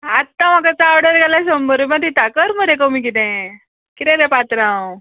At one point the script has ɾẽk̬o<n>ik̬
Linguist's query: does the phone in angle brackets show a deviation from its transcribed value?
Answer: yes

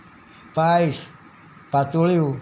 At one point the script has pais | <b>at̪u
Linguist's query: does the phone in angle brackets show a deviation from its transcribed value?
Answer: yes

